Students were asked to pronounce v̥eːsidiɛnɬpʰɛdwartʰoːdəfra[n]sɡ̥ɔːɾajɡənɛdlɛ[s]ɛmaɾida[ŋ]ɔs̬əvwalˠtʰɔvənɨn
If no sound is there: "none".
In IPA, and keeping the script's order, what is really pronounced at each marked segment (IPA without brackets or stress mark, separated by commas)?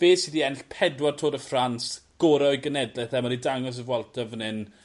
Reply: n, θ, ŋ